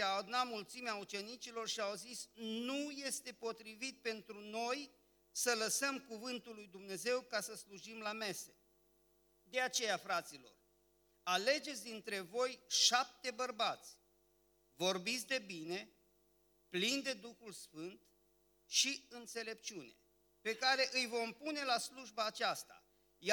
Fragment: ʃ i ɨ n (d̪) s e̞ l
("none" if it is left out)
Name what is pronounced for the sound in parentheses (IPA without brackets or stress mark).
t̪